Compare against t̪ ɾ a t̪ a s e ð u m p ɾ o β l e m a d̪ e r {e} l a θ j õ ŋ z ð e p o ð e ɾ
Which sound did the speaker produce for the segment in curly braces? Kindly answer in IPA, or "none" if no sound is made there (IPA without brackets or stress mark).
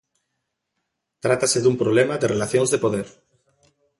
e